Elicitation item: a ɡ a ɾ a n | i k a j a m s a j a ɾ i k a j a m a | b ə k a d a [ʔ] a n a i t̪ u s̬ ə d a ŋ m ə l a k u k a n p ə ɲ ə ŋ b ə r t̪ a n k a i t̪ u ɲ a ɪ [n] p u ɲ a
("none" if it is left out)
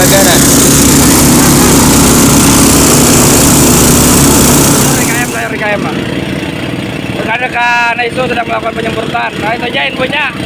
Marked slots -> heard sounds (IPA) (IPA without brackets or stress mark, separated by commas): k, n